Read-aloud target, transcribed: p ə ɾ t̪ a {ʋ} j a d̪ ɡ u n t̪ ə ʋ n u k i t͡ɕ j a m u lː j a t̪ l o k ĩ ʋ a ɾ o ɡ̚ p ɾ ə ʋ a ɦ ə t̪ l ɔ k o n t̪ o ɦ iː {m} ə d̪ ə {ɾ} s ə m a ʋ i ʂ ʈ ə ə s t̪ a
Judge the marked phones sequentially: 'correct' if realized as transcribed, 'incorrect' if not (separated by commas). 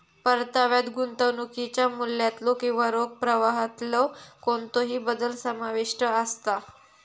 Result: correct, incorrect, incorrect